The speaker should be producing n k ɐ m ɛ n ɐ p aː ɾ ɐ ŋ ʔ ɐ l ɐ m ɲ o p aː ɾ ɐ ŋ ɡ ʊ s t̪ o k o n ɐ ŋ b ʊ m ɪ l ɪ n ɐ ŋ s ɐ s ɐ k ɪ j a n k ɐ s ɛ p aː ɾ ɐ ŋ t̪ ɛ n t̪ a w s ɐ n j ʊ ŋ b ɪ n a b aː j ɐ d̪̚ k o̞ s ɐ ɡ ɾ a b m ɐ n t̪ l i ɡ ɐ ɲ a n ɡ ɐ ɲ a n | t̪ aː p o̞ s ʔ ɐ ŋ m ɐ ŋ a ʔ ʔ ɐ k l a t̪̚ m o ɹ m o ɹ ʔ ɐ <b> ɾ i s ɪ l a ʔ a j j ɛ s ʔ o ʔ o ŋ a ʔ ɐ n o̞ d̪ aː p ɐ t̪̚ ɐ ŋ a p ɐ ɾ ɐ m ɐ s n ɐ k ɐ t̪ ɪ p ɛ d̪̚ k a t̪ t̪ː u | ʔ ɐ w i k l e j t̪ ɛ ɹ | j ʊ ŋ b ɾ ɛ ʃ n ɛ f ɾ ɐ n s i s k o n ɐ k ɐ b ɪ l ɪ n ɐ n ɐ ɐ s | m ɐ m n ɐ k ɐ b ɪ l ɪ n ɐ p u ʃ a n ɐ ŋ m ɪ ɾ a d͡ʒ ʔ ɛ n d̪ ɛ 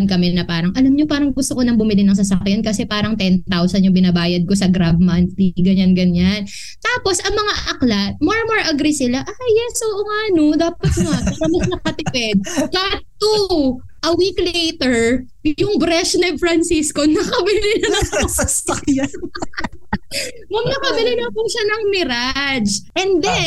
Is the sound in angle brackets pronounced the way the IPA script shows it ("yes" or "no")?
no